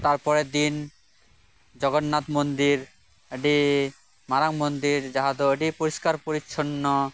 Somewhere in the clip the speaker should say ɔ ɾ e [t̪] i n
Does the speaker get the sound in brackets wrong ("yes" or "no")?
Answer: yes